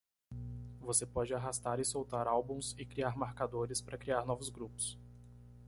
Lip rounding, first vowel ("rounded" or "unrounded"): rounded